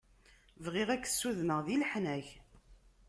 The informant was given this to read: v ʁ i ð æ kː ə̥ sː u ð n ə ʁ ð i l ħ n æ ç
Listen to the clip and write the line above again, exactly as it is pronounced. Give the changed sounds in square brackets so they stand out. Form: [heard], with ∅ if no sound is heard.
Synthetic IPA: v ʁ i [ʁ] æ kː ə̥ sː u ð n ə ʁ ð i l ħ n æ ç